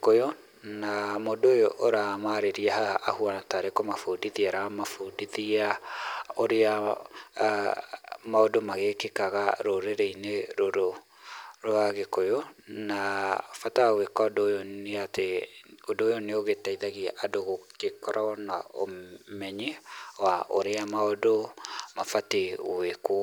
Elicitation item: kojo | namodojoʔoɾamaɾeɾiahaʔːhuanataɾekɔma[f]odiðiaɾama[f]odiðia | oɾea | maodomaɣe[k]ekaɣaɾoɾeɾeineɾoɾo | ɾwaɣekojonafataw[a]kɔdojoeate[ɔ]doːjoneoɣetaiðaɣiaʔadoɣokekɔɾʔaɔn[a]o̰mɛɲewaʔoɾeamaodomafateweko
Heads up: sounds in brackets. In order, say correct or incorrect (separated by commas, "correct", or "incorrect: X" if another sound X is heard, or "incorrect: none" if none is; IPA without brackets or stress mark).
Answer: correct, correct, correct, incorrect: e, incorrect: o, correct